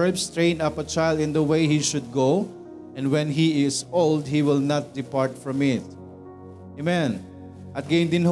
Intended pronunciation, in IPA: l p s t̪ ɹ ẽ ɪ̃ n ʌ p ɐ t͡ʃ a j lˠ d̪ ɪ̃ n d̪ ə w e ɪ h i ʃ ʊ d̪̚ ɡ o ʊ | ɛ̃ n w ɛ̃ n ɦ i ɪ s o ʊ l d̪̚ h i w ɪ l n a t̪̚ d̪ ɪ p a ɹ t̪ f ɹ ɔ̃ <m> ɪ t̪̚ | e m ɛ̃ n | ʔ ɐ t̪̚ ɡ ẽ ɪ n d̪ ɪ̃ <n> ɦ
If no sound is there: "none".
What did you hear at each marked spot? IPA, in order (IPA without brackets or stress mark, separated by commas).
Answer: m, n